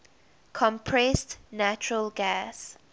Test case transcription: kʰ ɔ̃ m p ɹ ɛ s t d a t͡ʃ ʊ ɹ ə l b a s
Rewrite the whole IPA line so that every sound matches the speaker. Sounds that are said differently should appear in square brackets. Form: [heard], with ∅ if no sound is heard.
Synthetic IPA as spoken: kʰ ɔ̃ m [pʰ] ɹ ɛ s t [n] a t͡ʃ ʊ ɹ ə l [ɡ] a s